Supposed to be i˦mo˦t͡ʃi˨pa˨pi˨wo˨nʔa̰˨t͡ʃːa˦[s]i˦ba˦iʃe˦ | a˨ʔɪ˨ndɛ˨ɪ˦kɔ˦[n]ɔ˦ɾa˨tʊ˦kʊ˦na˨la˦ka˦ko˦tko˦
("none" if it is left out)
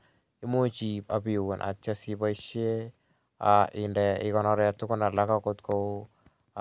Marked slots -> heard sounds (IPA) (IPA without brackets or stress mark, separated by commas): s, n